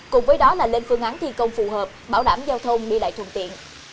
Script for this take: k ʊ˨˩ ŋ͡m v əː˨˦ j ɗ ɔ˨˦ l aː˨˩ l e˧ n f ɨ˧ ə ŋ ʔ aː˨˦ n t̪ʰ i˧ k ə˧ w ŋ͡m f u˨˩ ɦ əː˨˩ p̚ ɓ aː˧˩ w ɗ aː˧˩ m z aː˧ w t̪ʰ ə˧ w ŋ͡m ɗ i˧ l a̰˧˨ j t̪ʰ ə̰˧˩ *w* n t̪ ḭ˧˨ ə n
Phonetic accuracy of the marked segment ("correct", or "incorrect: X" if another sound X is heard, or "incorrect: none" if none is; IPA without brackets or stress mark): incorrect: none